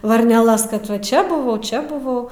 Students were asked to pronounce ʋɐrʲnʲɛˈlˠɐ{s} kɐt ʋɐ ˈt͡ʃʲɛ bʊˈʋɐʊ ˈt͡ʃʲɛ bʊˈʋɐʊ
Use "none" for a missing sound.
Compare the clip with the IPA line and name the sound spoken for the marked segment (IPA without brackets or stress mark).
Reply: s